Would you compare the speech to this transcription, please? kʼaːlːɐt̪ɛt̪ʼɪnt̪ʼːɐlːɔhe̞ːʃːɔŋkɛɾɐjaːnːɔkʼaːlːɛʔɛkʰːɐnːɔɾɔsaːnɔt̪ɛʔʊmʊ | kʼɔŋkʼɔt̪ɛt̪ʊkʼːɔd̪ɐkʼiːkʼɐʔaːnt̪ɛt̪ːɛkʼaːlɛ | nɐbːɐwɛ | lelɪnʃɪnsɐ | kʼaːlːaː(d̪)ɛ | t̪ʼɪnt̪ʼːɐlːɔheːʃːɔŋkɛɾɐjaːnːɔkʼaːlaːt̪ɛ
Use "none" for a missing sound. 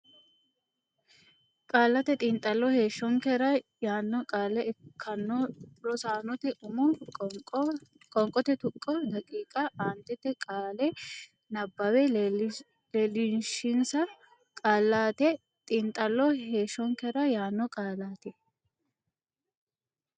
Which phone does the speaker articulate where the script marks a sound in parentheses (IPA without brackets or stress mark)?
t̪